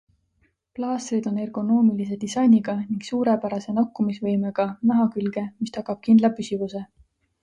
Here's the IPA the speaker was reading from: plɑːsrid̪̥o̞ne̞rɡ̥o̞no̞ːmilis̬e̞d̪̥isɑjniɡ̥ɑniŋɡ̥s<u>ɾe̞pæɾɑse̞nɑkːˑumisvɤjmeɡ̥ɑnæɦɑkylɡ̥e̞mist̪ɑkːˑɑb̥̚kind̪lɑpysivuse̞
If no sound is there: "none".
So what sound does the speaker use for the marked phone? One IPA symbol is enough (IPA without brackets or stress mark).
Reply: uː